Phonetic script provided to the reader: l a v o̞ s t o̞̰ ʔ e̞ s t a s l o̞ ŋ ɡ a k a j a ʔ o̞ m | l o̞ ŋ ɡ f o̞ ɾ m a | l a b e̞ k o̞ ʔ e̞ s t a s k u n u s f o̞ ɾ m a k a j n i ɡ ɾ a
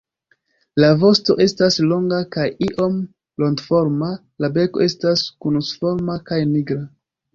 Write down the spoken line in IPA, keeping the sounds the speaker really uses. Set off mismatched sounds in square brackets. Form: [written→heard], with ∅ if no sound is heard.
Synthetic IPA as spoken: l a v o̞ s t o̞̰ ʔ e̞ s t a s l o̞ ŋ ɡ a k a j [a→i] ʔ o̞ m | l o̞ ŋ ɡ f o̞ ɾ m a | l a b e̞ k o̞ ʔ e̞ s t a s k u n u s f o̞ ɾ m a k a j n i ɡ ɾ a

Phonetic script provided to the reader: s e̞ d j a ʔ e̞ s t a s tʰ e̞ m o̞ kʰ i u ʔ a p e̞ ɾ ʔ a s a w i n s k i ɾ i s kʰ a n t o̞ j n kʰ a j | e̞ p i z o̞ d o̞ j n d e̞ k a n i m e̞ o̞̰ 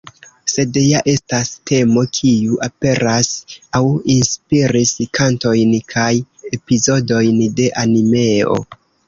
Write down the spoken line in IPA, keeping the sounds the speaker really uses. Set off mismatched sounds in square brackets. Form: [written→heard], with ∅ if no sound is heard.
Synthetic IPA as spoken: s e̞ d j a ʔ e̞ s t a s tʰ e̞ m o̞ kʰ i u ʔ a p e̞ ɾ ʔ a s a w i n s [k→p] i ɾ i s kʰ a n t o̞ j n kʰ a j | e̞ p i z o̞ d o̞ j n d e̞ [k→ʔ] a n i m e̞ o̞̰

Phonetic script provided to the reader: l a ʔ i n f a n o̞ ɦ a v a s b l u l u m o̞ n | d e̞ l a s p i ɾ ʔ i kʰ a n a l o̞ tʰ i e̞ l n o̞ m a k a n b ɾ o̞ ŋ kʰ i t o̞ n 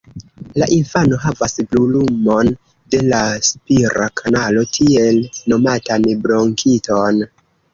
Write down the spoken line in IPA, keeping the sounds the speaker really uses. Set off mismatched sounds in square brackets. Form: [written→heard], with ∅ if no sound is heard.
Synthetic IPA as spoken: l a ʔ i n f a n o̞ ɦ a v a s b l u l u m o̞ n | d e̞ l a s p i ɾ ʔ [i→a] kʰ a n a l o̞ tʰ i e̞ l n o̞ m a [k→t] a n b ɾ o̞ ŋ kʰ i t o̞ n

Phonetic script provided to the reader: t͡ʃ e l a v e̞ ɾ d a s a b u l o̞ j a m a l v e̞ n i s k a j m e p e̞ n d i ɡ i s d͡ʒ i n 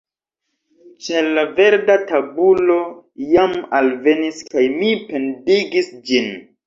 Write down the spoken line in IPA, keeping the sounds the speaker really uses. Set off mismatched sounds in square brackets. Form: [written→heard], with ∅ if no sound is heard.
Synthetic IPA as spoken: t͡ʃ e l a v e̞ ɾ d a [s→t] a b u l o̞ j a m a l v e̞ n i s k a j m [e→i] p e̞ n d i ɡ i s d͡ʒ i n

